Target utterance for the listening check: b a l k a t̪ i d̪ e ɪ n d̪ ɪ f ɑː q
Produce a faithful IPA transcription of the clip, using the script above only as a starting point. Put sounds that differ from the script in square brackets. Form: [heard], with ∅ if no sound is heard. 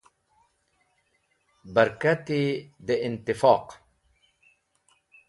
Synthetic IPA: b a [ɾ] k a t̪ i d̪ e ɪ n [t̪] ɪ f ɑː q